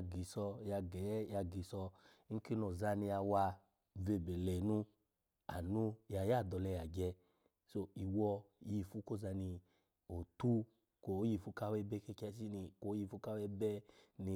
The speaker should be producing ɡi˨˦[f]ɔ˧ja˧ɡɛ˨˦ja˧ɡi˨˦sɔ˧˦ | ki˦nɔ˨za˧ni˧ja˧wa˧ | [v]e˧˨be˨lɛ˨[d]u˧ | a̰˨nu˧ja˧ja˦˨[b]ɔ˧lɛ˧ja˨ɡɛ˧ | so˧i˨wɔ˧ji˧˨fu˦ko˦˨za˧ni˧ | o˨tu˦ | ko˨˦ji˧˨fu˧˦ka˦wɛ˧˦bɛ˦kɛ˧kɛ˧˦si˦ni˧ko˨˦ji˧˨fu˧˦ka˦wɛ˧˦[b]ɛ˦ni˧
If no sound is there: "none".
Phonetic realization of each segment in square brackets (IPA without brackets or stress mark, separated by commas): s, v, n, d, b